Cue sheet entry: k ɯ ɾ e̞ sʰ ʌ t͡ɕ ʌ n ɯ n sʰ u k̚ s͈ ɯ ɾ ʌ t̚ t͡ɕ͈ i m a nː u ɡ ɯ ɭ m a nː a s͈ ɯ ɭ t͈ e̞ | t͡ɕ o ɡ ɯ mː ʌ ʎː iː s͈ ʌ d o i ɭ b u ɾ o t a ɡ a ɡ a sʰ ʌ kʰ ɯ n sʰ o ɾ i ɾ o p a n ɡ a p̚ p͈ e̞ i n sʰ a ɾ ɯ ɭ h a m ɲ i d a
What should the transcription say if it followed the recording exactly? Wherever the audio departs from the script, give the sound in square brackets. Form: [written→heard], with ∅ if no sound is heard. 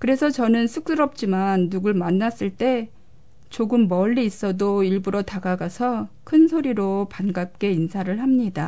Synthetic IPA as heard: k ɯ ɾ e̞ sʰ ʌ t͡ɕ ʌ n ɯ n sʰ u k̚ s͈ ɯ ɾ ʌ [t̚→p̚] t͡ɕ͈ i m a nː u ɡ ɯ ɭ m a nː a s͈ ɯ ɭ t͈ e̞ | t͡ɕ o ɡ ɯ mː ʌ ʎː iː s͈ ʌ d o i ɭ b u ɾ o t a ɡ a ɡ a sʰ ʌ kʰ ɯ n sʰ o ɾ i ɾ o p a n ɡ a p̚ [p͈→k͈] e̞ i n sʰ a ɾ ɯ ɭ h a m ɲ i d a